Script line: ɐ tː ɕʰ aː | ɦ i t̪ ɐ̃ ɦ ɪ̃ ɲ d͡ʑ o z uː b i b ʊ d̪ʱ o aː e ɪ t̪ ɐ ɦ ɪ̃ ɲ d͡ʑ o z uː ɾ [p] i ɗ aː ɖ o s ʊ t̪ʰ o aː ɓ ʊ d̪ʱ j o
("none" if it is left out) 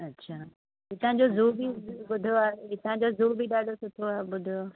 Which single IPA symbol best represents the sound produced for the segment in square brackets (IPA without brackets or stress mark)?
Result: b